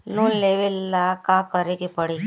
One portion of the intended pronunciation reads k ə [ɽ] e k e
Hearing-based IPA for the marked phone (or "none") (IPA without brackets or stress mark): ɾ